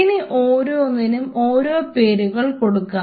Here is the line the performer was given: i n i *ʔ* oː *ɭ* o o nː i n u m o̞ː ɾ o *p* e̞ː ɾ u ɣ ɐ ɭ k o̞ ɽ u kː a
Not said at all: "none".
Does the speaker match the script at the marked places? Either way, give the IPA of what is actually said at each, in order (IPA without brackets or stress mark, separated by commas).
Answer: ʔ, ɾ, p